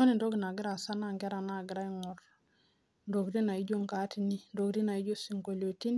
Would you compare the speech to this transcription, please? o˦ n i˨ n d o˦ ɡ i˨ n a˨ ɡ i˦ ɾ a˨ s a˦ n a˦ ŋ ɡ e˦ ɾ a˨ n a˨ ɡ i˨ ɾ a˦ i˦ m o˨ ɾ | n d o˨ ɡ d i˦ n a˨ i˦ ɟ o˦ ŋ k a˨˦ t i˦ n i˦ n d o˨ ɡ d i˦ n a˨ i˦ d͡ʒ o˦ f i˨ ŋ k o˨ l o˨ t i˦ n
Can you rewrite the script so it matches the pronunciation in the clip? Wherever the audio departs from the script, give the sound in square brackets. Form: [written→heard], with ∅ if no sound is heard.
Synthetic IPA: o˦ n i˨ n d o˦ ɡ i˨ n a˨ ɡ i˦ ɾ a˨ s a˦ n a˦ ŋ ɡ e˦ ɾ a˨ n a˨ ɡ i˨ ɾ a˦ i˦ [m→ŋ] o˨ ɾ | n d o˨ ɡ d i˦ n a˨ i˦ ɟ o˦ ŋ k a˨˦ t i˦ n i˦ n d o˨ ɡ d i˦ n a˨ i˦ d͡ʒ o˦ [f→s] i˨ ŋ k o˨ l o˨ t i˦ n